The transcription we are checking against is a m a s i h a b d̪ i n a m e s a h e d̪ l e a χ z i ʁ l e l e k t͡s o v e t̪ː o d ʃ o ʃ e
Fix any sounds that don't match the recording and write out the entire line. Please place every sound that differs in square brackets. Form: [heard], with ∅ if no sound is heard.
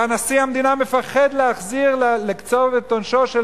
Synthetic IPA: a [n] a s i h a [m] d̪ i n a m e [f] a [χ] e d̪ l e a χ z i ʁ l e l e k t͡s o v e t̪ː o [n] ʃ o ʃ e